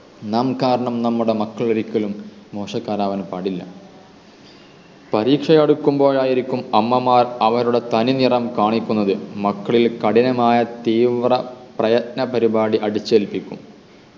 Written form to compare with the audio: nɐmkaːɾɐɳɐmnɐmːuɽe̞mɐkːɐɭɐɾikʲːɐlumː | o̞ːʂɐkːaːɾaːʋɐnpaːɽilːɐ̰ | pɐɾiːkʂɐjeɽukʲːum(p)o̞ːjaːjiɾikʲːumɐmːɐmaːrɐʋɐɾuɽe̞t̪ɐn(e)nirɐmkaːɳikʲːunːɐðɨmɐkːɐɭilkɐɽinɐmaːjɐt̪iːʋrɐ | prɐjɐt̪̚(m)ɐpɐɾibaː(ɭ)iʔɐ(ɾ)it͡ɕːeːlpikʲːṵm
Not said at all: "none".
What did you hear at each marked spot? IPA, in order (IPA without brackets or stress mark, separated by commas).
b, i, n, ɽ, ɽ